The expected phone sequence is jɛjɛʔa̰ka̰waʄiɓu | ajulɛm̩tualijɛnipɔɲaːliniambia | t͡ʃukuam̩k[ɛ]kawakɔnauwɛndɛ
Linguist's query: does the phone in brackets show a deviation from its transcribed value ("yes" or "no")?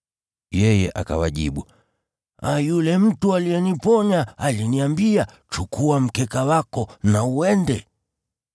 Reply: no